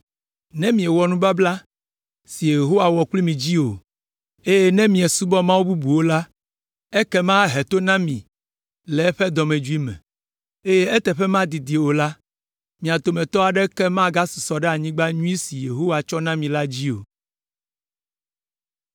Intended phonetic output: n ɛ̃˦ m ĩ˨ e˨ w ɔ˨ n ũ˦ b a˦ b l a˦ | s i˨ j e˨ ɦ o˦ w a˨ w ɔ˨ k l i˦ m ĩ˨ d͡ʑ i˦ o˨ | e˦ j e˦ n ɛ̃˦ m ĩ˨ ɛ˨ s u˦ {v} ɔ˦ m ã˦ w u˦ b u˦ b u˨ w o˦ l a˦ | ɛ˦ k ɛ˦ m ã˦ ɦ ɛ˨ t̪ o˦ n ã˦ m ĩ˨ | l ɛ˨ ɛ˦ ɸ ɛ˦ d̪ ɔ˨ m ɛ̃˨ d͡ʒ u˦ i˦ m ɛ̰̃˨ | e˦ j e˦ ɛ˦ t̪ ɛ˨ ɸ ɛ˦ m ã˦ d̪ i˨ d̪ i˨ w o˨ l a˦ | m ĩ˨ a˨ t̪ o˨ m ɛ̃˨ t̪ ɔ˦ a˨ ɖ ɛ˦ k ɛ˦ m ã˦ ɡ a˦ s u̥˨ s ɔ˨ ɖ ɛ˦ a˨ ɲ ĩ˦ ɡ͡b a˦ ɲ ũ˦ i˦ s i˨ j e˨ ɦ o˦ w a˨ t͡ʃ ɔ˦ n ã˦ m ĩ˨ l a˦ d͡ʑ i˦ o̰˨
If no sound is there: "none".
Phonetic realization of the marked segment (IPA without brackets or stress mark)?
b